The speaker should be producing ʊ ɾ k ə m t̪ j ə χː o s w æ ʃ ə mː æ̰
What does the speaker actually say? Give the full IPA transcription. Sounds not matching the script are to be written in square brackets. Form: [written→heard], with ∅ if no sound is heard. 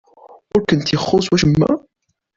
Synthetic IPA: ʊ ɾ k ə [m→n] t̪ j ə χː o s w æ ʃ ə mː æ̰